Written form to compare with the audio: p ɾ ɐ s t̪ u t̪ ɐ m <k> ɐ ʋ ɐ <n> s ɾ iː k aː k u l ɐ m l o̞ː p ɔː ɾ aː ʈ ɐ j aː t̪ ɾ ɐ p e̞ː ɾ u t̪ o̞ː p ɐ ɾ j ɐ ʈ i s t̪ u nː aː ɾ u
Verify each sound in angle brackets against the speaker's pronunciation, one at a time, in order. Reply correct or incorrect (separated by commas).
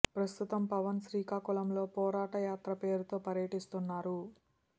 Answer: incorrect, correct